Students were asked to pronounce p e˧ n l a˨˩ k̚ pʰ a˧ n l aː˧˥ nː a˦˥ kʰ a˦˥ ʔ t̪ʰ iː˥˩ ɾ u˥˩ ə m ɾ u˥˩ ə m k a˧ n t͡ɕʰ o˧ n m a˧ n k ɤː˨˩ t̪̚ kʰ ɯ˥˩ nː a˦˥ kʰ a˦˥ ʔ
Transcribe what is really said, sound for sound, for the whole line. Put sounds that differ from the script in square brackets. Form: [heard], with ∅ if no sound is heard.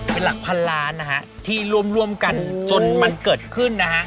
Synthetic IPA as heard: p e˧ n l a˨˩ k̚ pʰ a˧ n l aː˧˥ [n] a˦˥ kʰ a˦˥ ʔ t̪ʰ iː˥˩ ɾ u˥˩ ə m ɾ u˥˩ ə m k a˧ n [t͡ɕ] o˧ n m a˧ n k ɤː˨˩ t̪̚ kʰ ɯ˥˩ nː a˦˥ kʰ a˦˥ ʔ